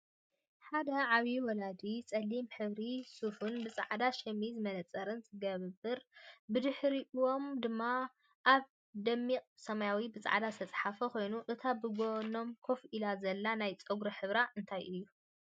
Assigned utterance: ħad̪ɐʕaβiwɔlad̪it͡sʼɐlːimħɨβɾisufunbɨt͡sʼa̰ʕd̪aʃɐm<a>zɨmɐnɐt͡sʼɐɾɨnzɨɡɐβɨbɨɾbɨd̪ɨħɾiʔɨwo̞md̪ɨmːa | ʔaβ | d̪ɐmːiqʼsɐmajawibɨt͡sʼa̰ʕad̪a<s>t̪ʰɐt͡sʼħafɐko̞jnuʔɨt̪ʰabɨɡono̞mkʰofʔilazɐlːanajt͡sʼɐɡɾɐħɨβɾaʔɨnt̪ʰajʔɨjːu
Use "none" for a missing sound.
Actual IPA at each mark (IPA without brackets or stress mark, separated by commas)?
i, s